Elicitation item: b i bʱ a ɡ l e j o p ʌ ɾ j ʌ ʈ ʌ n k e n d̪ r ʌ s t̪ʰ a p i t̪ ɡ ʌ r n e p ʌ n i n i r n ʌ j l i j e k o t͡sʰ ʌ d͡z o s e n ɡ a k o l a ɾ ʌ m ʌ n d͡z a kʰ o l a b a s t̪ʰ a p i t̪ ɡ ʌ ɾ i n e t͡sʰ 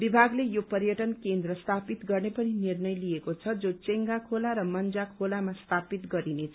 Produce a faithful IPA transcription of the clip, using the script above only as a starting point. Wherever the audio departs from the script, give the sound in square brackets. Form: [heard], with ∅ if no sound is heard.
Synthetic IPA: b i bʱ a ɡ l e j o p ʌ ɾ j ʌ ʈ ʌ n k e n d̪ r ʌ s t̪ʰ a p i t̪ ɡ ʌ r n e p ʌ n i n i r n ʌ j l i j e k o t͡sʰ ʌ d͡z o [t͡s] e [ŋ] ɡ a [kʰ] o l a ɾ ʌ m ʌ n d͡z a kʰ o l a [m] a s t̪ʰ a p i t̪ ɡ ʌ ɾ i n e t͡sʰ